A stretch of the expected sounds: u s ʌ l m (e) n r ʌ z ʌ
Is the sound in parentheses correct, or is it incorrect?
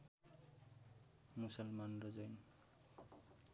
incorrect